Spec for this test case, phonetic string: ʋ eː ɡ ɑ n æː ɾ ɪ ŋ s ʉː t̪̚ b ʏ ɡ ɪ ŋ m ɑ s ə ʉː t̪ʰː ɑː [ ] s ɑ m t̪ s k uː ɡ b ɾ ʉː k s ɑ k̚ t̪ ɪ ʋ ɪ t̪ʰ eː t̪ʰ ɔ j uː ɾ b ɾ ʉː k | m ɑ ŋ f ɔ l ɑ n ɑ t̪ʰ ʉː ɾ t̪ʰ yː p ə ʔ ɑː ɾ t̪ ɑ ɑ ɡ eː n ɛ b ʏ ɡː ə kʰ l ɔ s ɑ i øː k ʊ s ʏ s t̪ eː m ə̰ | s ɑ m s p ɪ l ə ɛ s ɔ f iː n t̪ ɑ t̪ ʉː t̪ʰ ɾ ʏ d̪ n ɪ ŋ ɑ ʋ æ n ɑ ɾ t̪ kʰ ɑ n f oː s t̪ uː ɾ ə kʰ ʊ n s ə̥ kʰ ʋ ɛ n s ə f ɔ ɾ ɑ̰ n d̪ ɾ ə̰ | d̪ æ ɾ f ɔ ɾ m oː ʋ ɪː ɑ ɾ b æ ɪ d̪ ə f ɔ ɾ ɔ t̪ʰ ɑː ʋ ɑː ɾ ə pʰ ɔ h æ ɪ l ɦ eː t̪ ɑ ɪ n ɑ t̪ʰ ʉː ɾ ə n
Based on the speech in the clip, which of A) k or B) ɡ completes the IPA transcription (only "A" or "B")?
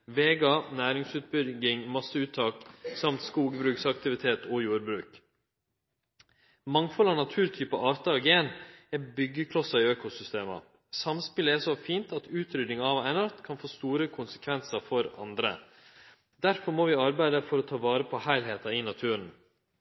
A